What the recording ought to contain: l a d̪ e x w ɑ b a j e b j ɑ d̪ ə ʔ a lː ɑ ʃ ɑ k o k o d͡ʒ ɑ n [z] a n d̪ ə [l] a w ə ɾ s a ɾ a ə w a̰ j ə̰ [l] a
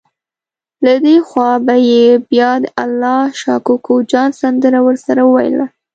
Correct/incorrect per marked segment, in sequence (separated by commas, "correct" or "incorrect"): incorrect, incorrect, correct